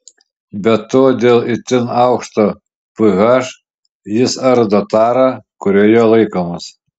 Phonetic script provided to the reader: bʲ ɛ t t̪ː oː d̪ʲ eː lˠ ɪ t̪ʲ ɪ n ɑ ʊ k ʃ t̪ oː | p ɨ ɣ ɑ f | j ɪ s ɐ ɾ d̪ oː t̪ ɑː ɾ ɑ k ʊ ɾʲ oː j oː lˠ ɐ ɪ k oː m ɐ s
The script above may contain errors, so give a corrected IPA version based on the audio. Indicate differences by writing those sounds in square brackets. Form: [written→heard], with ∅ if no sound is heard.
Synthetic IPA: bʲ ɛ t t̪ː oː d̪ʲ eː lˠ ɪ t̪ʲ ɪ n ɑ ʊ k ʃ t̪ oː | p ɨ ɣ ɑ [f→ʃ] | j ɪ s ɐ ɾ d̪ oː t̪ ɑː ɾ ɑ k ʊ ɾʲ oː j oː lˠ ɐ ɪ k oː m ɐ s